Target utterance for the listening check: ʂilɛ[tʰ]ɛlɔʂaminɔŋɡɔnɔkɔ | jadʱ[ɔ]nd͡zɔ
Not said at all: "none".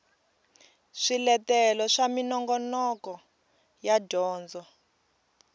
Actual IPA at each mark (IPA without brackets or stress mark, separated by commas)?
t, ɔː